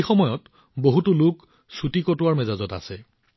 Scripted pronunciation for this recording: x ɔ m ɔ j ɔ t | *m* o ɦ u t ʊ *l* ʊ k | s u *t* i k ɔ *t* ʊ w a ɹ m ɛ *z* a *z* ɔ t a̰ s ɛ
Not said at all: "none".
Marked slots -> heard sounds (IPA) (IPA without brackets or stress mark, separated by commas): b, l, t, t, z, z